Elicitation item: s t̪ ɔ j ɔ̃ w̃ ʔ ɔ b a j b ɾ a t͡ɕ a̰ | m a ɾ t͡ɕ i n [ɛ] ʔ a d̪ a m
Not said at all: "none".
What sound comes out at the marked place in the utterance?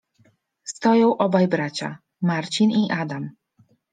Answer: i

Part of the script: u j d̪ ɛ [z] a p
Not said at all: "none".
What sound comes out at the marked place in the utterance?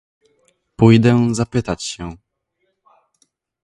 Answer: z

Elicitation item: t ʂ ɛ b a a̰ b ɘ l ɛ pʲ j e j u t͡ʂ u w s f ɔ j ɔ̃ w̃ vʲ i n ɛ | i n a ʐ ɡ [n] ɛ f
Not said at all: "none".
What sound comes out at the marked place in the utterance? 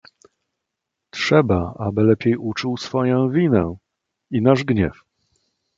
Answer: ɲ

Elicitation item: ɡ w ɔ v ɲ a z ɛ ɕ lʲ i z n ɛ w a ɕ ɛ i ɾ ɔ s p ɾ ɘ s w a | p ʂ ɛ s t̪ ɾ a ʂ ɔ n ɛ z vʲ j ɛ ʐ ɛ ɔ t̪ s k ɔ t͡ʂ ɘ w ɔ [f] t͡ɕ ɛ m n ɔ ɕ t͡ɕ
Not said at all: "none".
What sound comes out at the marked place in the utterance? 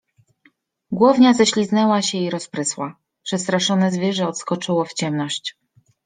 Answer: f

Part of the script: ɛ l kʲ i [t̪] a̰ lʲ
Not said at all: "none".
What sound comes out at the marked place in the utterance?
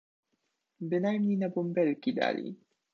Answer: d̪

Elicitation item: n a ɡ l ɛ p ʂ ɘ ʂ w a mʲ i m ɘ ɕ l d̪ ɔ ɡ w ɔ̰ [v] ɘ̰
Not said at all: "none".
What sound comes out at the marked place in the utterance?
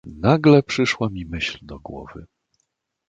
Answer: v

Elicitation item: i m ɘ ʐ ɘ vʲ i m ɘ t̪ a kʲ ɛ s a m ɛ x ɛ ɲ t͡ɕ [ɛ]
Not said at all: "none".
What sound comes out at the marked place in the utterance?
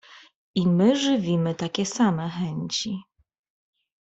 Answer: i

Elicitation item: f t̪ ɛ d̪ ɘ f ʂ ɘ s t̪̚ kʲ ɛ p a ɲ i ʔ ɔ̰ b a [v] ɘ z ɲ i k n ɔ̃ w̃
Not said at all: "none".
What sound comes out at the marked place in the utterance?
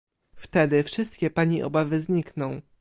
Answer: v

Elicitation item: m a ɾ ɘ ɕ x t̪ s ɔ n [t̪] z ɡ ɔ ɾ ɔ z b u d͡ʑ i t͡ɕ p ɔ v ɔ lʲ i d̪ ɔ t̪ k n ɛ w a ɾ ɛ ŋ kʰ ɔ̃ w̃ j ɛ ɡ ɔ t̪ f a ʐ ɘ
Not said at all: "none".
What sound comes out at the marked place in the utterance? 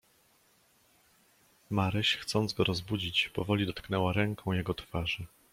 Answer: d̪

